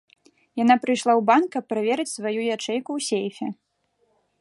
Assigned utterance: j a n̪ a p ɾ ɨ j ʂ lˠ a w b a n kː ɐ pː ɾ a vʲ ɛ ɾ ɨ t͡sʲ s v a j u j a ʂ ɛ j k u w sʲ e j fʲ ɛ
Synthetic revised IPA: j a n̪ a p ɾ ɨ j ʂ lˠ a w b a n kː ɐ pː ɾ a vʲ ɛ ɾ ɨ t͡sʲ s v a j u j a t͡ʂ ɛ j k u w sʲ e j fʲ ɛ